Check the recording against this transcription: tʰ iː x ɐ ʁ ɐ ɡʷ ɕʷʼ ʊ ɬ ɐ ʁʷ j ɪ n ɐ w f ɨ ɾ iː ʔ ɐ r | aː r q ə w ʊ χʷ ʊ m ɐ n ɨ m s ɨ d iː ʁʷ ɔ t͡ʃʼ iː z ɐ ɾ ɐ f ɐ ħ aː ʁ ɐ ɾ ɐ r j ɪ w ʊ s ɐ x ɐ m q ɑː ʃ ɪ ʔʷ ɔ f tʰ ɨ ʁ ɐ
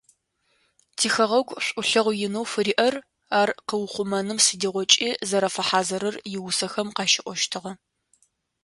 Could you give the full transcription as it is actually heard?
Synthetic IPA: tʰ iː x ɐ ʁ ɐ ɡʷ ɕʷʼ ʊ ɬ ɐ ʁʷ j ɪ n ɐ w f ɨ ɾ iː ʔ ɐ r | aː r q ə w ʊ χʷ ʊ m ɐ n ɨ m s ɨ d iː ʁʷ ɔ t͡ʃʼ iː z ɐ ɾ ɐ f ɐ ħ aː z ɐ ɾ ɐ r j ɪ w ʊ s ɐ x ɐ m q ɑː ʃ ɪ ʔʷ ɔ ʃ tʰ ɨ ʁ ɐ